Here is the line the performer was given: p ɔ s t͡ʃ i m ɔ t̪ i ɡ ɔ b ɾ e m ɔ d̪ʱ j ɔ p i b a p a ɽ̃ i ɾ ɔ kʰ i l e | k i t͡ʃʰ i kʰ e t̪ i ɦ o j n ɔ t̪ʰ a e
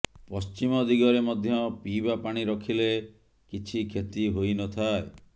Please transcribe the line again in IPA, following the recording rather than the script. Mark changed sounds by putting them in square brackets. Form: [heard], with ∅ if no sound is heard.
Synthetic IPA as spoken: p ɔ s t͡ʃ i m ɔ [d̪] i ɡ ɔ [∅] ɾ e m ɔ d̪ʱ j ɔ p i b a p a ɽ̃ i ɾ ɔ kʰ i l e | k i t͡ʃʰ i kʰ e t̪ i ɦ o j n ɔ t̪ʰ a e